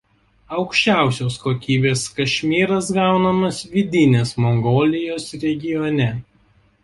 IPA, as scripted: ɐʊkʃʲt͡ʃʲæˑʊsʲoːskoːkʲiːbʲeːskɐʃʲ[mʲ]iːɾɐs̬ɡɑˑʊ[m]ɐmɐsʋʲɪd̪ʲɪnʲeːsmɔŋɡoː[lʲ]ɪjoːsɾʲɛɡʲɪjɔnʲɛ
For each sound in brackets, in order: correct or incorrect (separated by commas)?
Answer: correct, incorrect, correct